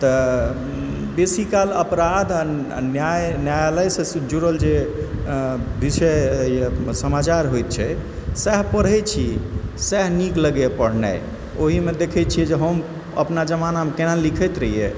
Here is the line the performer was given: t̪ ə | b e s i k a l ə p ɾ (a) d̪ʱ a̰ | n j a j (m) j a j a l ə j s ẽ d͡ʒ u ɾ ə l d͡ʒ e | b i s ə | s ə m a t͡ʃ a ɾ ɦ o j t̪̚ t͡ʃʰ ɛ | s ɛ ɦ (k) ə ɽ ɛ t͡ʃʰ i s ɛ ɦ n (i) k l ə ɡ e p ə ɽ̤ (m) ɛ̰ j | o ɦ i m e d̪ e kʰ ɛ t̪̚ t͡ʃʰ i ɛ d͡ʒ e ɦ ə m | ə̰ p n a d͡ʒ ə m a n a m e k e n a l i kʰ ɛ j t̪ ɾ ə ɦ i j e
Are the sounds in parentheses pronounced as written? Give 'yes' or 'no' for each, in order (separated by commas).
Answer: yes, no, no, yes, no